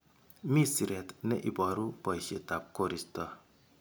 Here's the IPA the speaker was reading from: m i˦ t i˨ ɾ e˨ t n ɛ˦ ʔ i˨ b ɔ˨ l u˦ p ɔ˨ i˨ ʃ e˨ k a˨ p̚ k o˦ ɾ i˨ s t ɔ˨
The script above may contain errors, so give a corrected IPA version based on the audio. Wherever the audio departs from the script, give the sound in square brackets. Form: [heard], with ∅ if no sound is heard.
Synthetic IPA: m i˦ [s] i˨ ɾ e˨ t n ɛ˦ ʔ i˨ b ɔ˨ [ɾ] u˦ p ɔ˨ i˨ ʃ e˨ [t] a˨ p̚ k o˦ ɾ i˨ s t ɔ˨